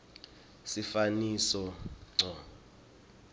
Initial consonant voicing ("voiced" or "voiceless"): voiceless